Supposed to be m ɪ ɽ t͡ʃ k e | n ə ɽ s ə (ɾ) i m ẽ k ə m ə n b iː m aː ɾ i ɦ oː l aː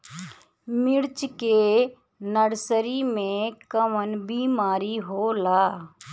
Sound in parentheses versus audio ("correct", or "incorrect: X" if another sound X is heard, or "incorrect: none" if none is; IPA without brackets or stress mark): correct